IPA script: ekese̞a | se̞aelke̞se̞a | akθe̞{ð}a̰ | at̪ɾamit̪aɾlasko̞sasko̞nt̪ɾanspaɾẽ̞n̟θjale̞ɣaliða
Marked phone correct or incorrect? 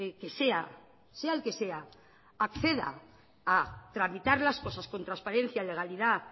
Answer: correct